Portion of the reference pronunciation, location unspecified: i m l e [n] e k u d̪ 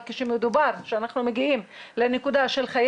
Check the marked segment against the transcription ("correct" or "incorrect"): correct